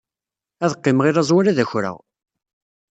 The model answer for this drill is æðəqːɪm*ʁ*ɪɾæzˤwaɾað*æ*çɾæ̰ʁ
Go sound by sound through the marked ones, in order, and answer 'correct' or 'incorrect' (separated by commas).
correct, correct